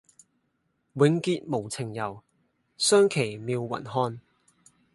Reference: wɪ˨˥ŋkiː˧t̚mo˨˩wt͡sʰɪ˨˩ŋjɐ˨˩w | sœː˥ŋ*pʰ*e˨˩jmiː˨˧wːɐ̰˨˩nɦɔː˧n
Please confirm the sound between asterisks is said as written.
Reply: no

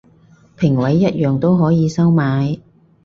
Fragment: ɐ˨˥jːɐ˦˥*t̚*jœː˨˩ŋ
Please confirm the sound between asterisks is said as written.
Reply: yes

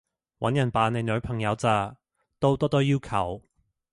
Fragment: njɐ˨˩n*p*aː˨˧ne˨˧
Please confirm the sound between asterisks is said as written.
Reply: yes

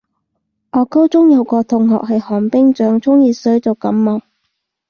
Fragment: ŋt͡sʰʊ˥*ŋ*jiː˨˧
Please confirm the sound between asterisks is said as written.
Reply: yes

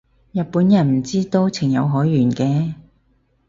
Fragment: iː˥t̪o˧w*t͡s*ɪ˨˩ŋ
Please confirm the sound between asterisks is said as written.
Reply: no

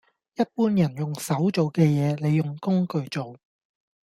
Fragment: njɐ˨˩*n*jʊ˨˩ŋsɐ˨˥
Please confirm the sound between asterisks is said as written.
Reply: yes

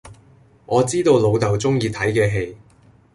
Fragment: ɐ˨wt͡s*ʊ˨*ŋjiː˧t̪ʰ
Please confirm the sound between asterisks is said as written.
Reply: no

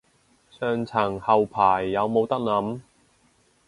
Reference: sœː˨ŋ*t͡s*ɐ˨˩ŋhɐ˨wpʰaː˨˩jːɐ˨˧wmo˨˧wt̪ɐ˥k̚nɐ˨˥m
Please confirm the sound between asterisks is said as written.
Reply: no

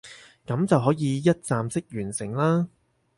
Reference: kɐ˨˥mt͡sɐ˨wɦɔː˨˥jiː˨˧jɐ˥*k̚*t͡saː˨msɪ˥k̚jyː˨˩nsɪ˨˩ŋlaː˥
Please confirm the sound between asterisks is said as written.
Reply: no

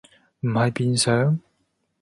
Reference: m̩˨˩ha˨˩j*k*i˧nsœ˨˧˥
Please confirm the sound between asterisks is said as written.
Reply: no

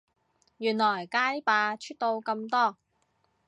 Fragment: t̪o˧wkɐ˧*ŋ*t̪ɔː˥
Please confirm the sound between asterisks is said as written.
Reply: no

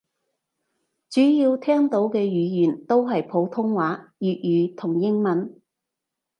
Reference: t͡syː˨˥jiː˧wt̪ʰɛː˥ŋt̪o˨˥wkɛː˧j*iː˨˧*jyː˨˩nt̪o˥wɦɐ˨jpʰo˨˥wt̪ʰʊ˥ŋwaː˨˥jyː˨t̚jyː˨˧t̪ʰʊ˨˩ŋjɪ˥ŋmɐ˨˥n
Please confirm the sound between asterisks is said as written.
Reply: no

